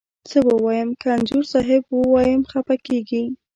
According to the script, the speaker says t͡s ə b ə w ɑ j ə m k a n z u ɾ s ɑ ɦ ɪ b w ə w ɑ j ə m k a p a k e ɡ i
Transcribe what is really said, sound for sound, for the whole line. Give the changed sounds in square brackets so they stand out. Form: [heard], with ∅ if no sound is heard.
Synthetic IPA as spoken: t͡s ə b ə w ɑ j ə m k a n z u ɾ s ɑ ɦ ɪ b w ə w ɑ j ə m [x] a p a k e ɡ i